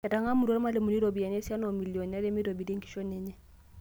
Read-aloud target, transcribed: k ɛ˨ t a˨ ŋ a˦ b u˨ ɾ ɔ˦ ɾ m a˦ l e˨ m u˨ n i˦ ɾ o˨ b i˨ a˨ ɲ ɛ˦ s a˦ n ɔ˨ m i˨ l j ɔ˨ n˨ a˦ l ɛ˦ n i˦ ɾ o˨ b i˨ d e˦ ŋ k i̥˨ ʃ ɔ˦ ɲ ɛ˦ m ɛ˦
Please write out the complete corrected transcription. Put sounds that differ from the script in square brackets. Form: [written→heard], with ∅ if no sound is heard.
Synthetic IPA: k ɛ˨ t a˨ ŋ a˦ [b→m] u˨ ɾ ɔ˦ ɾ m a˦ l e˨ m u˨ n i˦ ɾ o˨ b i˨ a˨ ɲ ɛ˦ s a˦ n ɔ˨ m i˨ l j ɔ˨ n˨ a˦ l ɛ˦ [n→m] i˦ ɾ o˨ b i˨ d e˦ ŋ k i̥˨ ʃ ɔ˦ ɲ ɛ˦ [m→ɲ] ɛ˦